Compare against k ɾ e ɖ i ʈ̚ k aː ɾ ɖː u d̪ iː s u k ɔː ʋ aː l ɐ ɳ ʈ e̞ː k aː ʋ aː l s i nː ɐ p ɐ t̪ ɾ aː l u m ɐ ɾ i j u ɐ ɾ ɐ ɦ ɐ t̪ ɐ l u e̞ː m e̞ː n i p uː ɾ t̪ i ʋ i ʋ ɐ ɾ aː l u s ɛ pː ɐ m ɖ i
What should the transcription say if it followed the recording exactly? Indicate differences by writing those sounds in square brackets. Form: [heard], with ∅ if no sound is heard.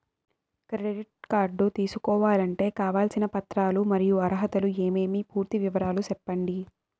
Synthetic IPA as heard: k ɾ e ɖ i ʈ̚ k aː ɾ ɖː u [t̪] iː s u k ɔː ʋ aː l ɐ ɳ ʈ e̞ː k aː ʋ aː l s i [n] ɐ p ɐ t̪ ɾ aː l u m ɐ ɾ i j u ɐ ɾ ɐ ɦ ɐ t̪ ɐ l u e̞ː m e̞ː [m] i p uː ɾ t̪ i ʋ i ʋ ɐ ɾ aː l u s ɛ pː ɐ [ɳ] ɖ i